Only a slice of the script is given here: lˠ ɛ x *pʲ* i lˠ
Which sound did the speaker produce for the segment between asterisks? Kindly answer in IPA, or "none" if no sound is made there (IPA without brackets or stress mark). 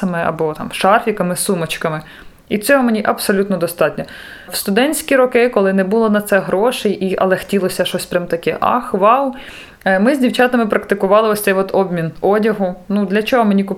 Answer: tʲ